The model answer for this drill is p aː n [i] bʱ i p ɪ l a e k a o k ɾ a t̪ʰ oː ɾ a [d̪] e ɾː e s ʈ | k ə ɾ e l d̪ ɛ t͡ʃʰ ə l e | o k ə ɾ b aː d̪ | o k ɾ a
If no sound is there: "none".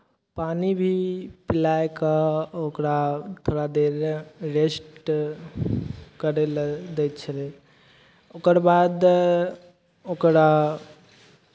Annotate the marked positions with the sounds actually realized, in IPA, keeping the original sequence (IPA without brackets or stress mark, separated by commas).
i, d̪